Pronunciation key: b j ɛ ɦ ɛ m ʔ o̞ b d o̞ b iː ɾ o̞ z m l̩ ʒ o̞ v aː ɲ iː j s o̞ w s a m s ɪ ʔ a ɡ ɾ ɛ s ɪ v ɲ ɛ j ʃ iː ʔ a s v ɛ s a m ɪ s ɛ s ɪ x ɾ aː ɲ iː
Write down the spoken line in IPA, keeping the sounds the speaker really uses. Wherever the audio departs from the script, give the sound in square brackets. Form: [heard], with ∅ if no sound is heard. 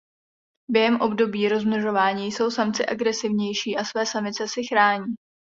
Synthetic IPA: b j ɛ ɦ ɛ m ʔ o̞ b d o̞ b iː ɾ o̞ z m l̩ ʒ o̞ v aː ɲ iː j s o̞ w s a m [t͡s] ɪ ʔ a ɡ ɾ ɛ s ɪ v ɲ ɛ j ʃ iː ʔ a s v [ɛː] s a m ɪ [t͡s] ɛ s ɪ x ɾ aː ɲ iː